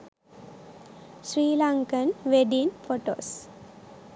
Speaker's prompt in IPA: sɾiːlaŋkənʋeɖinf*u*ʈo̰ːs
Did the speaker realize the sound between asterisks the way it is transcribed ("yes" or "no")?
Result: no